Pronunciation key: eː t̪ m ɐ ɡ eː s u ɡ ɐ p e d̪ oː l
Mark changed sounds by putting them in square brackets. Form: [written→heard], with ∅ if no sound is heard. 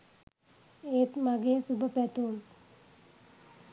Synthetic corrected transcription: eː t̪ m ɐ ɡ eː s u [ɡ→b] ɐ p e [d̪→t̪] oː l